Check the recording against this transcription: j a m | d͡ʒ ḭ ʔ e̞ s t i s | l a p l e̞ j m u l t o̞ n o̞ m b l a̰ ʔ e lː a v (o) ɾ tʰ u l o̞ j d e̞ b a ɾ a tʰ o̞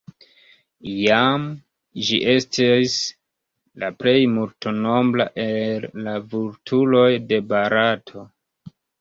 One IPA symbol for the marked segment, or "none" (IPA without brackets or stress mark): u